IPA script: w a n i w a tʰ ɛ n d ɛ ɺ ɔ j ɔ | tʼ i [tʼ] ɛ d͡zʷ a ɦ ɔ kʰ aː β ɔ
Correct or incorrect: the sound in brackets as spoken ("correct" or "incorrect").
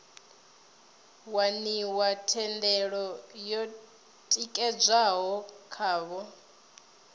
incorrect